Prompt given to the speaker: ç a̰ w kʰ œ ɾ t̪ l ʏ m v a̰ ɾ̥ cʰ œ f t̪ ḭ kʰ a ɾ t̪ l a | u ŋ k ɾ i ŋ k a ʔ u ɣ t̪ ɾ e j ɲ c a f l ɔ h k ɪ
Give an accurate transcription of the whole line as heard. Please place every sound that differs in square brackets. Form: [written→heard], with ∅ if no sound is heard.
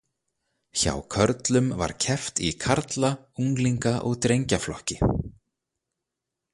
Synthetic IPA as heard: ç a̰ w kʰ œ ɾ t̪ l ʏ m v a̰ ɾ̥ cʰ [œ→ɛ] f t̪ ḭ kʰ a ɾ t̪ l a | u ŋ k [ɾ→l] i ŋ k a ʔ [u→ɔ] ɣ t̪ ɾ e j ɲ c a f l ɔ h [k→c] ɪ